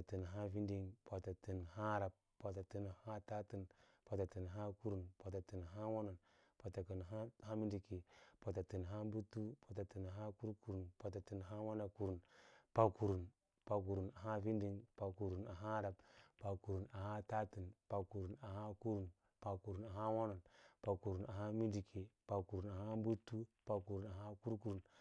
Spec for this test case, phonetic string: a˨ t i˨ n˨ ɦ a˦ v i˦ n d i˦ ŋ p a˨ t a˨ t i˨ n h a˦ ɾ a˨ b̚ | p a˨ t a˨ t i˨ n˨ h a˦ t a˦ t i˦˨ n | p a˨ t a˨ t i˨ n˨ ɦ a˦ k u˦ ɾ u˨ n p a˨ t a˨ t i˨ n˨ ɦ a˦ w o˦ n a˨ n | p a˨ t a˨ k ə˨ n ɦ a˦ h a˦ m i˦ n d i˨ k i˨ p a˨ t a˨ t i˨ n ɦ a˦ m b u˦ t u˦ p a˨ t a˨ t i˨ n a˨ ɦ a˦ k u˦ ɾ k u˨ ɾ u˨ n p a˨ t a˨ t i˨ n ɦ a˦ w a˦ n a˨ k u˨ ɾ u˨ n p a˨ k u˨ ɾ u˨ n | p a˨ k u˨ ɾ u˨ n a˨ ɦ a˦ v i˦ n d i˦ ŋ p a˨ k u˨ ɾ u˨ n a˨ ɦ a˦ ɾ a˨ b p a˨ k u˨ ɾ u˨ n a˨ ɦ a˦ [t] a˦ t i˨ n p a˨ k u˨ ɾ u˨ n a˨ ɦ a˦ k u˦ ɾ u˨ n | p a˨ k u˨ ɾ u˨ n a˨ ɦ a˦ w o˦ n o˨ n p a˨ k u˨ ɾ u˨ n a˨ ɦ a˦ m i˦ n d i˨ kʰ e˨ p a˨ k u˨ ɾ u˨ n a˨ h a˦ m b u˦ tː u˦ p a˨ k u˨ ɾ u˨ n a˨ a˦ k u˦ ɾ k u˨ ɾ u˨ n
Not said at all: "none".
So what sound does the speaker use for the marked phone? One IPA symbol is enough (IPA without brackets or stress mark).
t